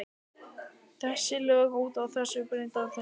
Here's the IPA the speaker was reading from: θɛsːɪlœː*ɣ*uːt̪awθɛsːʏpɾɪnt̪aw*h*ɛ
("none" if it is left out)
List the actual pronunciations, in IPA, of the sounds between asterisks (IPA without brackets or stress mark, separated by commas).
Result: ɣ, θ